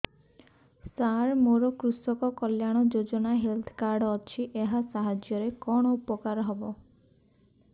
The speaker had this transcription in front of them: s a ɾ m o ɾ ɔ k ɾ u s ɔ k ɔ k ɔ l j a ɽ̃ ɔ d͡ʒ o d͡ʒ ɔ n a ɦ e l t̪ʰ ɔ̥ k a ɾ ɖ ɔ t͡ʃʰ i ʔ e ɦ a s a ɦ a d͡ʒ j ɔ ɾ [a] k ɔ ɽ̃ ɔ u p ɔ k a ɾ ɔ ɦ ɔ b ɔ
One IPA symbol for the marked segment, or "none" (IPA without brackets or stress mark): e